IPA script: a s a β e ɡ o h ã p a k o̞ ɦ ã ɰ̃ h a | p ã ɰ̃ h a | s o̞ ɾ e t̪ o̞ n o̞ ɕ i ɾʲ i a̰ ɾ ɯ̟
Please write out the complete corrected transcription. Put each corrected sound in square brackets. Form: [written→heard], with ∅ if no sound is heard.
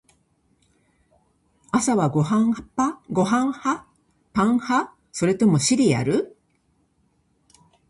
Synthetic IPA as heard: a s a β [e→a] ɡ o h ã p a [k→ɡ] o̞ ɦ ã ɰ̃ h a | p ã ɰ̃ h a | s o̞ ɾ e t̪ o̞ [n→m] o̞ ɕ i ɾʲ i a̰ ɾ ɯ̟